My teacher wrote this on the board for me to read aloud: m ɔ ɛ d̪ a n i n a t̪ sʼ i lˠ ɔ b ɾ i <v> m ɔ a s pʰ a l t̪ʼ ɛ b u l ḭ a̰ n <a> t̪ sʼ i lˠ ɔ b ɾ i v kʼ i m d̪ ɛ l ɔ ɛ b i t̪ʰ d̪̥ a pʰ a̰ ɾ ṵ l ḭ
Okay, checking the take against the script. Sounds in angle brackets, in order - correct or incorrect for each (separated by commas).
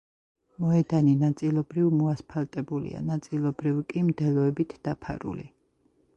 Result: correct, correct